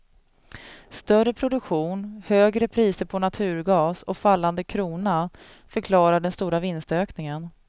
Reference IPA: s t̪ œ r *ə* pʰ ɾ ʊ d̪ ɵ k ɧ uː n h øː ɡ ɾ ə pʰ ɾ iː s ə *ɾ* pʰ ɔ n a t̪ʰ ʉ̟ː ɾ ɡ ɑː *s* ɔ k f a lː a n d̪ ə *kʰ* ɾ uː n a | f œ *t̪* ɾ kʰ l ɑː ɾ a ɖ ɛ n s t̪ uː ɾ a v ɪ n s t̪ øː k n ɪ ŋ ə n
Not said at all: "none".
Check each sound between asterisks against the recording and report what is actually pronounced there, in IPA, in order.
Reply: ə, ɾ, s, kʰ, none

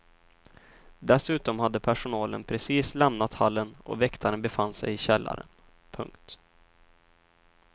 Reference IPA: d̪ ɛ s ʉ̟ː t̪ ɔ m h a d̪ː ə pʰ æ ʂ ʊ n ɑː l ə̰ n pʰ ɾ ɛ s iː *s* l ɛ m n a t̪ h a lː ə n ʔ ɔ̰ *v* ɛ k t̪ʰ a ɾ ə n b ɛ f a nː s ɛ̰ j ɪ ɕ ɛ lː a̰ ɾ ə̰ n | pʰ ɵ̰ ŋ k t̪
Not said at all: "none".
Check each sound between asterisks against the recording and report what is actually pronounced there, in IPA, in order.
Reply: s, v

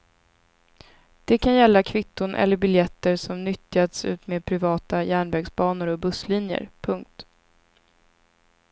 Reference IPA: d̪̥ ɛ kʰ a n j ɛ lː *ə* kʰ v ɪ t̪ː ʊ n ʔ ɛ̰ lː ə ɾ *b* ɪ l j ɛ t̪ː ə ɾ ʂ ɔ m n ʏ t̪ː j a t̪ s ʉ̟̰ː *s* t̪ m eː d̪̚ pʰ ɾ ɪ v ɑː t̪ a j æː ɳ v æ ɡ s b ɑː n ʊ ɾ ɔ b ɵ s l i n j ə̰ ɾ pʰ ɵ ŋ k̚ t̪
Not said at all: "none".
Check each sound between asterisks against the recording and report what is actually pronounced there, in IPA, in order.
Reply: a, b, none

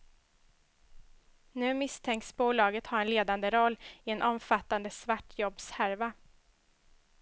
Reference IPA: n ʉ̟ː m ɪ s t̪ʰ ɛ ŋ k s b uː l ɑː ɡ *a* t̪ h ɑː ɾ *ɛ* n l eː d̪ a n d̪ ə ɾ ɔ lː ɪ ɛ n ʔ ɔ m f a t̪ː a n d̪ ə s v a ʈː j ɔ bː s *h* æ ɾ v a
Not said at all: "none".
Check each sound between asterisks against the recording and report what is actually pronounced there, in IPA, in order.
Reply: ə, ɛ, h

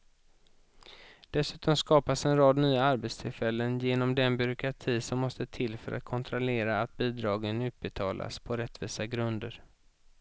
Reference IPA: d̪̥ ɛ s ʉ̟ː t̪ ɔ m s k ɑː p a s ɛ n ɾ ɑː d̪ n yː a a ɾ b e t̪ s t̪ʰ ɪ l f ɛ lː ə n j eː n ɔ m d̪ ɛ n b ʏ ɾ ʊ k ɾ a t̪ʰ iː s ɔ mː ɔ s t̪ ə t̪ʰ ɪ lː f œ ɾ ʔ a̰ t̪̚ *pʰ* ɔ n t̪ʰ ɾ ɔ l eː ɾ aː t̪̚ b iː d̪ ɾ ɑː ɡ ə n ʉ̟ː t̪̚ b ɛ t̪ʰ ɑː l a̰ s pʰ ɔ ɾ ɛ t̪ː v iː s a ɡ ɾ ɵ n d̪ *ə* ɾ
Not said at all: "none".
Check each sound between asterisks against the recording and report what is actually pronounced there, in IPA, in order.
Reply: kʰ, ə

